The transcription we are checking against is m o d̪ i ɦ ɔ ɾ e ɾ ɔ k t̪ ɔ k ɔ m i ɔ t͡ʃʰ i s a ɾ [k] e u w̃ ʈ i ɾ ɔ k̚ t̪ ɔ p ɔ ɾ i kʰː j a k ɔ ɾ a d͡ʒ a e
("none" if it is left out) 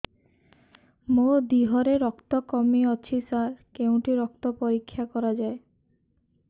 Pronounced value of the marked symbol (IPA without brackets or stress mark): k